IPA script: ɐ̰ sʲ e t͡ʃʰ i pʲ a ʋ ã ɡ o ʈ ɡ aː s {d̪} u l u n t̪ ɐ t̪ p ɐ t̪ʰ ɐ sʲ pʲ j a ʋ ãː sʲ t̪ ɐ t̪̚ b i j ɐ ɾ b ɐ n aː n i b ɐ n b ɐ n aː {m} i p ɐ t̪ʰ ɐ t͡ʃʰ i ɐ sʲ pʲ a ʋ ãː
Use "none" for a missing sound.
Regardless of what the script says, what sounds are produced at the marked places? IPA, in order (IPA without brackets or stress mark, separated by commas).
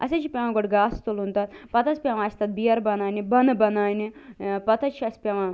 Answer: t̪, n